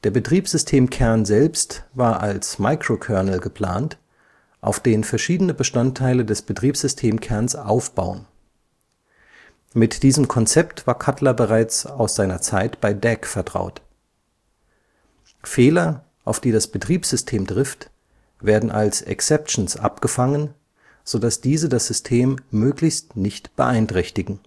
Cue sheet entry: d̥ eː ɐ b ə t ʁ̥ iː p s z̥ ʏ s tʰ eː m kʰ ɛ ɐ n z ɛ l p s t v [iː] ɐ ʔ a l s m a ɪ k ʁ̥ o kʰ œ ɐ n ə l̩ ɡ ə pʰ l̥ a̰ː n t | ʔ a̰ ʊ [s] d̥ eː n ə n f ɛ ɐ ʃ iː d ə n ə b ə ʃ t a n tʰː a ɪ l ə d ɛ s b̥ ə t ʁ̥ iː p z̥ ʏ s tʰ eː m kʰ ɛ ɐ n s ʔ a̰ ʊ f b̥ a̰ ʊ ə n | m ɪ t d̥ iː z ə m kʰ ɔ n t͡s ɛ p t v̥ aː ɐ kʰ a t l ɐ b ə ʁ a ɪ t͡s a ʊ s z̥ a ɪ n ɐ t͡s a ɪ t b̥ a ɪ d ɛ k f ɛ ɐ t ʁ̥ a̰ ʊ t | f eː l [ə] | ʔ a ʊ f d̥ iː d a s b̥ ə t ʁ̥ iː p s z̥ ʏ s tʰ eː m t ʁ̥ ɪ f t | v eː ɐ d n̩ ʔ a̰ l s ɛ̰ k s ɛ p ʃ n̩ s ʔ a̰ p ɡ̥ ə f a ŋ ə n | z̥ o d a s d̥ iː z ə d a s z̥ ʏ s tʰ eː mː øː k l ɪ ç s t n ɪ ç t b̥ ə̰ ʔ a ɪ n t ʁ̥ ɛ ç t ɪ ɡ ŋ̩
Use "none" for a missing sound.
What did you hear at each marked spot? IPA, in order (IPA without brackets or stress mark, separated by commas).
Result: aː, f, ɐ